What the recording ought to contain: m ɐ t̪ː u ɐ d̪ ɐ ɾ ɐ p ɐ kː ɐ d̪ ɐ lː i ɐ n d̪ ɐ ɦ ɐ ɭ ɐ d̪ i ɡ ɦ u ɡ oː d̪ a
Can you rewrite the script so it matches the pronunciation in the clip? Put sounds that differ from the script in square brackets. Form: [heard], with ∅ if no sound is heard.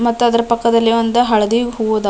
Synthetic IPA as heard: m ɐ t̪ː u ɐ d̪ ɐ ɾ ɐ p ɐ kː ɐ d̪ ɐ lː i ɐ n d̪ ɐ ɦ ɐ ɭ ɐ d̪ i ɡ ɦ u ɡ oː d̪ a